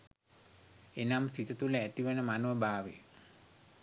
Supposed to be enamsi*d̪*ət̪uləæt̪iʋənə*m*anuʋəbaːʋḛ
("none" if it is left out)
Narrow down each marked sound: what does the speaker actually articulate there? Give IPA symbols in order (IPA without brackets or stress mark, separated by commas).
t̪, m